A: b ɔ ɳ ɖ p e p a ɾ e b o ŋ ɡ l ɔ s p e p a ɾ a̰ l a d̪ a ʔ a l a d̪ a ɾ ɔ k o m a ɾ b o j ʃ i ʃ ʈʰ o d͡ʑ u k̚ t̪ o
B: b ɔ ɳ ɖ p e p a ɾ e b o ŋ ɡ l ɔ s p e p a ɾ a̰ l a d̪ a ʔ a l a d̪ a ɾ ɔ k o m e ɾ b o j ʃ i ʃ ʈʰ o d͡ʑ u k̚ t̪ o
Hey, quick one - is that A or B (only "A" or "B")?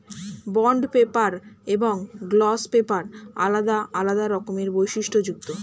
B